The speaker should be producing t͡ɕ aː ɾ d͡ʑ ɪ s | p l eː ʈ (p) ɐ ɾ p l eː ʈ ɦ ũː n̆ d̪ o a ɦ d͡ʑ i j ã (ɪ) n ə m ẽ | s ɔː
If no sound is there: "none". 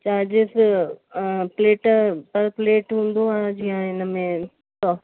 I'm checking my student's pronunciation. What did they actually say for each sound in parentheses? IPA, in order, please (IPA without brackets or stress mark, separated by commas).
p, ɪ